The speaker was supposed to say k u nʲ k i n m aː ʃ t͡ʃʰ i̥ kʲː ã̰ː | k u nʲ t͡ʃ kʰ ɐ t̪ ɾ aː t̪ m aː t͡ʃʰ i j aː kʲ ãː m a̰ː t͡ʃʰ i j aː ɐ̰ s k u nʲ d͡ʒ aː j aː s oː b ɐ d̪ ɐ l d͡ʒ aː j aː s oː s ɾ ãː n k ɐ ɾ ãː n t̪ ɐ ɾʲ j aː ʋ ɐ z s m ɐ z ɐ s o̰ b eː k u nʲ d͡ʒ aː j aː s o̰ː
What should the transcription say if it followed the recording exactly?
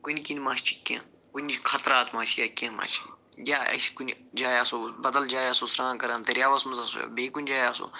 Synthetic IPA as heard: k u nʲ k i n m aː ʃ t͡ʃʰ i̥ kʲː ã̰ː | k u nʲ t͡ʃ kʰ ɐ t̪ ɾ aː t̪ m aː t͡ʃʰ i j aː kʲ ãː m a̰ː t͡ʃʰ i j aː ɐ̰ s k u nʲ d͡ʒ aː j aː s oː b ɐ d̪ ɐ l d͡ʒ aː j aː s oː s ɾ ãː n k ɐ ɾ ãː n t̪ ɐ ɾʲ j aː ʋ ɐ s m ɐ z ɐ s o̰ b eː k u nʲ d͡ʒ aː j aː s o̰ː